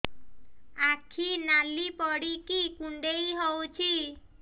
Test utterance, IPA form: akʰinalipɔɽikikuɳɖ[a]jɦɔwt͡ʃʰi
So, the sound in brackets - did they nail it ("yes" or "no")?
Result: no